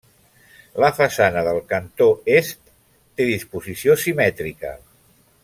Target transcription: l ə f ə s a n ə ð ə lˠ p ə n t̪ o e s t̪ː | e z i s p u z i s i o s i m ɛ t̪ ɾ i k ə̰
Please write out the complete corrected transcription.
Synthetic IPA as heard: l ə f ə s a n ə ð ə lˠ k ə n t̪ o e s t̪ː | e ð i s p u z i s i o s i m ɛ t̪ ɾ i k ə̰